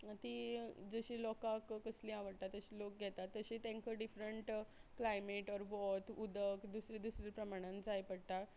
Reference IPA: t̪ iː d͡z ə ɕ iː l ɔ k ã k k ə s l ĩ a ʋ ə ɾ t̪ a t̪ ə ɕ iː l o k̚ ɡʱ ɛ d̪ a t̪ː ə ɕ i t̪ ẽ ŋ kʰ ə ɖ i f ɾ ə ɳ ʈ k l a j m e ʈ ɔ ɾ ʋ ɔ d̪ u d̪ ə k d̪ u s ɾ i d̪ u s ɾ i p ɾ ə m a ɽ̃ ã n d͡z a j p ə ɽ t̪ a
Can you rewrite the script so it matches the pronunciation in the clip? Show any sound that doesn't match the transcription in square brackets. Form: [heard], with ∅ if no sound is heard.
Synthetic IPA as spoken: t̪ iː d͡z ə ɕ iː l ɔ k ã k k ə s l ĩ a ʋ ə [ɽ] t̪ a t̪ ə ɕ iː l o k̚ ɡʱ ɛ [t̪] a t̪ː ə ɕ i t̪ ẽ ŋ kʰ ə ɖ i f ɾ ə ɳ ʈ k l a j m e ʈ ɔ ɾ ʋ ɔ [t̪] u d̪ ə k d̪ u s ɾ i d̪ u s ɾ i p ɾ ə m a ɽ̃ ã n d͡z a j p ə ɽ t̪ a